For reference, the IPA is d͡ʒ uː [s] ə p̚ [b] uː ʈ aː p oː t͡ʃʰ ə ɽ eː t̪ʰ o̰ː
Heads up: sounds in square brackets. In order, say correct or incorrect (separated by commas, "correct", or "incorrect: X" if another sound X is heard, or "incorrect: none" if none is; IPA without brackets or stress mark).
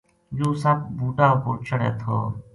correct, correct